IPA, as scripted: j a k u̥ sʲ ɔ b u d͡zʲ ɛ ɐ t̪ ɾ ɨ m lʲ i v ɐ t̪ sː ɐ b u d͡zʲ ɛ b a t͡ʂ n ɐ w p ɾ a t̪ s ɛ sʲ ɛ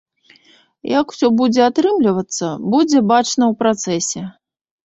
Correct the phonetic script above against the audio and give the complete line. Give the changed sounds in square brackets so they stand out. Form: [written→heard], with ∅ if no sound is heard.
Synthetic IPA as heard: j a k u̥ sʲ ɔ b u d͡zʲ ɛ [ɐ→a] t̪ ɾ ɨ m lʲ i v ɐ t̪ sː ɐ b u d͡zʲ ɛ b a t͡ʂ n ɐ w p ɾ a t̪ s ɛ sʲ ɛ